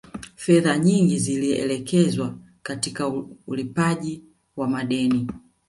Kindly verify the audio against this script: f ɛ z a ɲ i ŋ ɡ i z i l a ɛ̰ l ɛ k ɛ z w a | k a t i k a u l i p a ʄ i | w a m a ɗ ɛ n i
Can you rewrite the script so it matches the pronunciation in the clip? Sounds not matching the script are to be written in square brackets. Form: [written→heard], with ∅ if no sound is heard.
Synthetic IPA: f ɛ [z→ð] a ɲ i ŋ ɡ i z i l [a→i] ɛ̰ l ɛ k ɛ z w a | k a t i k a u l i p a ʄ i | w a m a ɗ ɛ n i